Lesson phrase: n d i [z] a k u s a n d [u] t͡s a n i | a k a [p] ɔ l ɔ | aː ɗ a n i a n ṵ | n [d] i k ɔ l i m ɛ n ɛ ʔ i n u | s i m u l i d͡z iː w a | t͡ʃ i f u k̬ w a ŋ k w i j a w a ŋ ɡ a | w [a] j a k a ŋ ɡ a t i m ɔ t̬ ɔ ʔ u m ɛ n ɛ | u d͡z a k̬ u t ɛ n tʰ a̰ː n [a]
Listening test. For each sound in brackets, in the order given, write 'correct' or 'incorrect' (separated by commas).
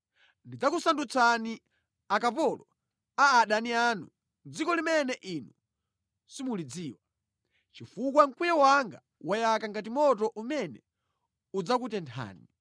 incorrect, correct, correct, incorrect, correct, incorrect